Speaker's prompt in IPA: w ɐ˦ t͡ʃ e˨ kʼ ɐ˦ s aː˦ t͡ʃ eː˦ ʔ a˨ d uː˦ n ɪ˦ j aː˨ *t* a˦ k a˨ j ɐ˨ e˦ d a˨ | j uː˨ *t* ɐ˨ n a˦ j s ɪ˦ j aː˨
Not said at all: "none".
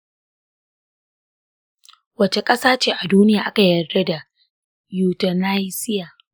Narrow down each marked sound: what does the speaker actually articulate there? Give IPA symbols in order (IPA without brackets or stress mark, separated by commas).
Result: ʔ, t